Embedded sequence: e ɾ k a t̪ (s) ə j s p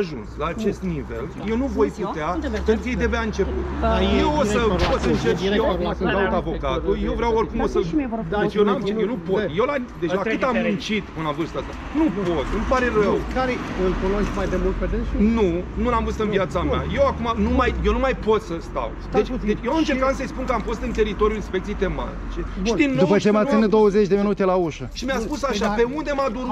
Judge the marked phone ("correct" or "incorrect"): correct